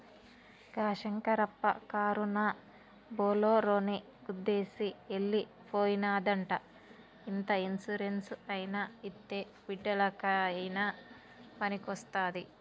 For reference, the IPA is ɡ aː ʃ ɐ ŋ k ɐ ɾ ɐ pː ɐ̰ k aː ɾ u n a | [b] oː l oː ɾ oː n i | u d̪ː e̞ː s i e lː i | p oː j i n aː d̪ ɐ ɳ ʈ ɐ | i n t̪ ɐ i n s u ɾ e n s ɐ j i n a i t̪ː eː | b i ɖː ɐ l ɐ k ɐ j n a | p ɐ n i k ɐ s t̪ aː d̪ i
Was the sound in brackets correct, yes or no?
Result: yes